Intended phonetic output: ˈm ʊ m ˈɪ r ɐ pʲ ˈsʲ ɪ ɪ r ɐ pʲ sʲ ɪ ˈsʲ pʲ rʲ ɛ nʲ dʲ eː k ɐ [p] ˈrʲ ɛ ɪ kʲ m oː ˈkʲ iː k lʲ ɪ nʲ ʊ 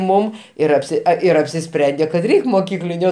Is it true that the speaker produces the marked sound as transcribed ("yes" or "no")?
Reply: no